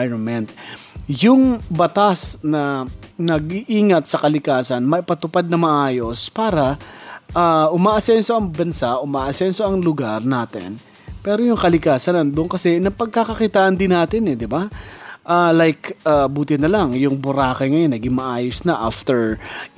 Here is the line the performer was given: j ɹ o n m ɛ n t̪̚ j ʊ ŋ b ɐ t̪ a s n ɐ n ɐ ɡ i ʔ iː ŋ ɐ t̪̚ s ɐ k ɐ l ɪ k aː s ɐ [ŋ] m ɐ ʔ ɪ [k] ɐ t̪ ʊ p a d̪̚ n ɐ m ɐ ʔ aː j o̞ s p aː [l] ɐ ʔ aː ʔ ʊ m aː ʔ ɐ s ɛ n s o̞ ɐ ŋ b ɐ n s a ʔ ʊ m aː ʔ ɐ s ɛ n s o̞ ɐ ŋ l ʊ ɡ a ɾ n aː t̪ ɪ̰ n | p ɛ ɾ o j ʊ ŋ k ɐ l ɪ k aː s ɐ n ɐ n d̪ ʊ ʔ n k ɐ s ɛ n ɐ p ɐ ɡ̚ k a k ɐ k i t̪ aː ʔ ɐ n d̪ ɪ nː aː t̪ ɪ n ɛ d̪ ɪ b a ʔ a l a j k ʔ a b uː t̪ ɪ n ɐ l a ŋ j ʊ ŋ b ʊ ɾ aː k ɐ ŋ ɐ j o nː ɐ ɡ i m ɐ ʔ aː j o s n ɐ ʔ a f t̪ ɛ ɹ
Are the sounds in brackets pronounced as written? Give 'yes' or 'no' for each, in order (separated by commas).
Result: no, no, no